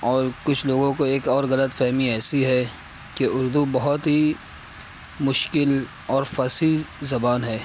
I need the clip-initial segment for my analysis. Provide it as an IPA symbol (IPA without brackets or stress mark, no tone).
ɔː